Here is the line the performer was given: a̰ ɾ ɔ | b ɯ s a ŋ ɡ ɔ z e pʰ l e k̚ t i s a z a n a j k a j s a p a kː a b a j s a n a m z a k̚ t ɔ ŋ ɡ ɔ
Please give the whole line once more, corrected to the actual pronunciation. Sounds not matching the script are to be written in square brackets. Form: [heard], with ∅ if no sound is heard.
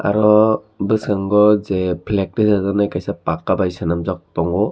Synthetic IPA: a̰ ɾ ɔ | b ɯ s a ŋ ɡ ɔ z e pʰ l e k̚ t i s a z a n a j k a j s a p a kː a b a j s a n a m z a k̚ t ɔ ŋ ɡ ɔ